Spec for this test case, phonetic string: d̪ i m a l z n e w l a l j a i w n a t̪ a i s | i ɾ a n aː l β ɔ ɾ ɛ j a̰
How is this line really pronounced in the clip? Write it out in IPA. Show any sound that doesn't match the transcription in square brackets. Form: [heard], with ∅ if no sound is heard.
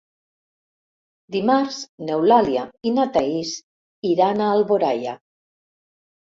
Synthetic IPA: d̪ i m a [ɾ] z n e w l a l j a i [∅] n a t̪ a i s | i ɾ a n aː l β [o] ɾ [a] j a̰